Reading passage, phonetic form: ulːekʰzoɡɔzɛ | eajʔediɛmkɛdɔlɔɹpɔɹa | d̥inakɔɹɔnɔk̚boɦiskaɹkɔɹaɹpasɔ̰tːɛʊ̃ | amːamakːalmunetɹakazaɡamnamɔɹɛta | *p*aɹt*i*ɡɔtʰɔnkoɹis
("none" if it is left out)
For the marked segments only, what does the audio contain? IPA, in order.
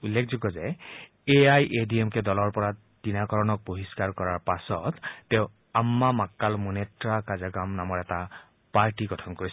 p, i

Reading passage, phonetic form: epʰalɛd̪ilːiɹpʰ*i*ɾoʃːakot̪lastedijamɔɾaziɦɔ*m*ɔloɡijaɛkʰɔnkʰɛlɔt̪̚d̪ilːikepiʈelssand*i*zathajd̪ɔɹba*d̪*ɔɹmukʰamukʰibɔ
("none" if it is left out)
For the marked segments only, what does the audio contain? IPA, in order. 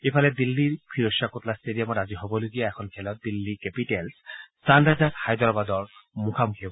i, b, a, d̪

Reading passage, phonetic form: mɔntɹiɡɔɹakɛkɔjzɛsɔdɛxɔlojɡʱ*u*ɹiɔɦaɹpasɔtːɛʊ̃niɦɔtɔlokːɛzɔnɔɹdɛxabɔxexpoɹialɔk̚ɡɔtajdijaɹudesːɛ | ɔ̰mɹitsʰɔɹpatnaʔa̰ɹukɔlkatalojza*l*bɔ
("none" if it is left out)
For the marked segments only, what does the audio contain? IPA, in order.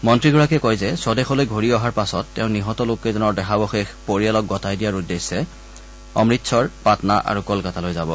o, none

